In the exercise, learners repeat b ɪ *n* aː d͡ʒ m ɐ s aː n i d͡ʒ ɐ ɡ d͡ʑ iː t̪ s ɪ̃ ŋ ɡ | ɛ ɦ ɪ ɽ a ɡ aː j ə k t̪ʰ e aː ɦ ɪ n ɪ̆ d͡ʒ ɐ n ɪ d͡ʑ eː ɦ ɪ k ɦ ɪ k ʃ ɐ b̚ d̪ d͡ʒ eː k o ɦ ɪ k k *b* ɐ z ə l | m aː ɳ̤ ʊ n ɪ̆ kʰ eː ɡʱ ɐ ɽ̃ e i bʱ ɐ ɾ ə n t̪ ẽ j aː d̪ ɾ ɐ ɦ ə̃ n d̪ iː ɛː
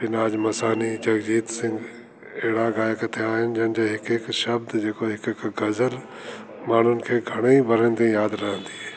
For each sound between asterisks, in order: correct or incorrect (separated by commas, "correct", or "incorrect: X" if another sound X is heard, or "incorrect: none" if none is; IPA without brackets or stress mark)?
correct, incorrect: ɡ